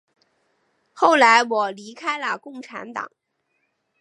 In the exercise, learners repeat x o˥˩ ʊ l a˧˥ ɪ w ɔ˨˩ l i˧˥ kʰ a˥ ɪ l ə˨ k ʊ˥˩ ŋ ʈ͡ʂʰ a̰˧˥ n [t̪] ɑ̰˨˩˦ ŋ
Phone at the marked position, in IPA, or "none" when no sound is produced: t̪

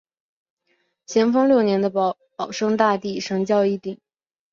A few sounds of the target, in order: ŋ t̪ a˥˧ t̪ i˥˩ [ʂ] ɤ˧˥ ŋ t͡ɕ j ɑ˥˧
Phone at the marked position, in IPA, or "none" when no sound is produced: ʂ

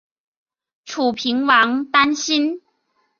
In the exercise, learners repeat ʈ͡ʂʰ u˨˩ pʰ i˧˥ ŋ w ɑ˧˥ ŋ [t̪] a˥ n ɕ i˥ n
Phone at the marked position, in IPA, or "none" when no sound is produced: t̪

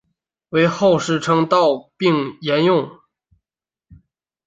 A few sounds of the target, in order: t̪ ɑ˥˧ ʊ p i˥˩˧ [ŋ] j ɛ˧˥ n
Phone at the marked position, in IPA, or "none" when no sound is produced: ŋ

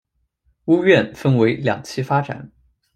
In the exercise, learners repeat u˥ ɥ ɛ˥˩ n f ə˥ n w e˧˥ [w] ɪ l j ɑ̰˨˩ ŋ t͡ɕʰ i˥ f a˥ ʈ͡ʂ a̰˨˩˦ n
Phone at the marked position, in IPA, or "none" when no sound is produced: none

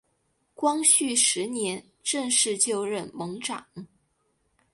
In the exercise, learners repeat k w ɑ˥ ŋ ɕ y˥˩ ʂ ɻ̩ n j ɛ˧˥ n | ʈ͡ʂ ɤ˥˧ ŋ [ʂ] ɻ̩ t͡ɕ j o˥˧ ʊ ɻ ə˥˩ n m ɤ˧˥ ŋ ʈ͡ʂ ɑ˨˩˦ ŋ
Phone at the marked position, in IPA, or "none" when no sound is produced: ʂ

